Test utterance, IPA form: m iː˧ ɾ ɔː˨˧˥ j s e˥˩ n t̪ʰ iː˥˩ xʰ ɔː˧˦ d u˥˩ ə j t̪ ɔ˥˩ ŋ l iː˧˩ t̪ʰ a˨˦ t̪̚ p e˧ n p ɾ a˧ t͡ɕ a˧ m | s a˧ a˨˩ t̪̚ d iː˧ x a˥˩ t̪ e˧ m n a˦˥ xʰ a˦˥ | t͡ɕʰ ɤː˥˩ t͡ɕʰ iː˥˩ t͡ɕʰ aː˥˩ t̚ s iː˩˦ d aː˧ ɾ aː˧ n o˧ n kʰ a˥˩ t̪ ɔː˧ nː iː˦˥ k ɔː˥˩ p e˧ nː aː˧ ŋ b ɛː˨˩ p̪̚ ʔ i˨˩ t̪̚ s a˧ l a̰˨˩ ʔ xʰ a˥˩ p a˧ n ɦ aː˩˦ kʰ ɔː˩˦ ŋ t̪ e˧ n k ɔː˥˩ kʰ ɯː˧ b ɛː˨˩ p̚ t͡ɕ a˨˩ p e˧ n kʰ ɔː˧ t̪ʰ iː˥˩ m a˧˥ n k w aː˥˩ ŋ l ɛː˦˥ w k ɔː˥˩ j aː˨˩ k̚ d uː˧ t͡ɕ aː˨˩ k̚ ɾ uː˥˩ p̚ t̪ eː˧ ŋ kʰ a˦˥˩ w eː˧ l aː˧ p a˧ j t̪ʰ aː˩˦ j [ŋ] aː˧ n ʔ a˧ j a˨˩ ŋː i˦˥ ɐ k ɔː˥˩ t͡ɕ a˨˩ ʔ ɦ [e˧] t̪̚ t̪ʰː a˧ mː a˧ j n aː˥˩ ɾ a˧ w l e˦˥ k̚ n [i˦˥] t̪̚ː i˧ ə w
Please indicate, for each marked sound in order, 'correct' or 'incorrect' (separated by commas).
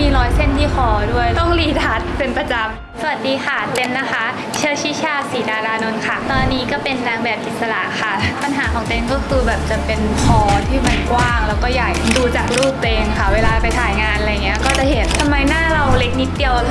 correct, incorrect, correct